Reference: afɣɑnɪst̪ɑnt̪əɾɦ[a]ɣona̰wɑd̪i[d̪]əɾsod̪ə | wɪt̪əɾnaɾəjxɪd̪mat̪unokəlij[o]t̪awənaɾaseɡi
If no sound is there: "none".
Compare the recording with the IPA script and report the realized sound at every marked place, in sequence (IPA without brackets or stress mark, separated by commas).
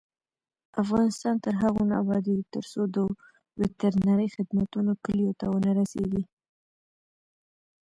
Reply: a, t̪, o